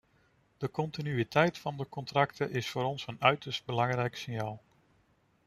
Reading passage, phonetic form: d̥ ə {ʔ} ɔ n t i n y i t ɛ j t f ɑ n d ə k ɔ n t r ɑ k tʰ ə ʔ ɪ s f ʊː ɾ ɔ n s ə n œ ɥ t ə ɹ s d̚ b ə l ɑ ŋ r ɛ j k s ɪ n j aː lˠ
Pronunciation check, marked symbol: incorrect: k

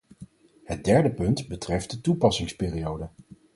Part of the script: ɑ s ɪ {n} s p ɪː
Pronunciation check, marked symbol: incorrect: ŋ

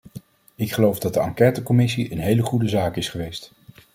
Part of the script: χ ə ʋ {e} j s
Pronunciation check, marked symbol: correct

